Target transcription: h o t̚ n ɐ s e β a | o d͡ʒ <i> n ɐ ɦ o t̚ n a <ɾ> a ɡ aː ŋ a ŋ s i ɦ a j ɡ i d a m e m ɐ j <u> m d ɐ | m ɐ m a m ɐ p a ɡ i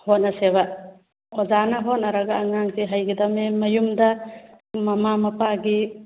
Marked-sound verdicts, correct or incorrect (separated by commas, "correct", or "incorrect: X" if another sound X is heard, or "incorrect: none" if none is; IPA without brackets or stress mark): incorrect: a, correct, correct